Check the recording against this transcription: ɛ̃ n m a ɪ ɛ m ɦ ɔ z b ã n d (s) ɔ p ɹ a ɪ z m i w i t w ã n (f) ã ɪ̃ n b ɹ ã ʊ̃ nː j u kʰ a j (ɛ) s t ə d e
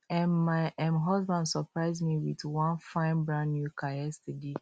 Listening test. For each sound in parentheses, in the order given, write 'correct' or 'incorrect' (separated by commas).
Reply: correct, correct, correct